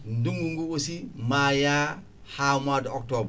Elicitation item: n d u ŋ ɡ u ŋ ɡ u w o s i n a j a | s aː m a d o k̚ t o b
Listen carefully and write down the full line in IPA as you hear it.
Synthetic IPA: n d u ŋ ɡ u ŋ ɡ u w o s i m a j a | h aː m a d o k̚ t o b